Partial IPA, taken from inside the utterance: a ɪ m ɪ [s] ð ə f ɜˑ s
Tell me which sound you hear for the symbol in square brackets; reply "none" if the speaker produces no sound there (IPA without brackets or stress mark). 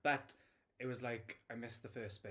s